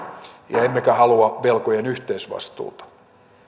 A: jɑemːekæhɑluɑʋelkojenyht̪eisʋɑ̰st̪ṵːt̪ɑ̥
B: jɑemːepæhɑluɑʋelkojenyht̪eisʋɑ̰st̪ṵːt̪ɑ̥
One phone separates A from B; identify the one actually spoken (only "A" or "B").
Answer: A